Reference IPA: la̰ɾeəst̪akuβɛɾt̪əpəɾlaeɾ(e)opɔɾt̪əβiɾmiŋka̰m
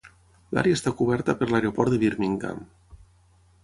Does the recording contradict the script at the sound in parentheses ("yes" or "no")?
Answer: no